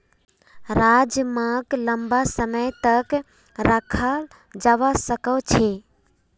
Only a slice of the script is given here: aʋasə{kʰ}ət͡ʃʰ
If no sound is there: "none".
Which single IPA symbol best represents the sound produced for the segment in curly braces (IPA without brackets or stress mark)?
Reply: k